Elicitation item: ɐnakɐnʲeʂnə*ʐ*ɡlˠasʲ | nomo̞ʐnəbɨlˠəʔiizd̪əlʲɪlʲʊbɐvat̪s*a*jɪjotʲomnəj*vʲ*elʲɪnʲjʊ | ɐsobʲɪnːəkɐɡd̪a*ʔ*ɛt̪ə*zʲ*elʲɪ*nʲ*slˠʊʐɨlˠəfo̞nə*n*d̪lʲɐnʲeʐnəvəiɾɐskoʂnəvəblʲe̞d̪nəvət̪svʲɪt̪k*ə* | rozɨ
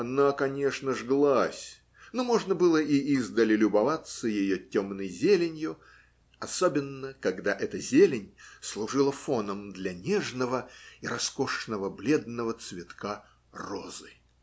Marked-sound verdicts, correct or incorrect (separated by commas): correct, incorrect, incorrect, correct, correct, correct, incorrect, incorrect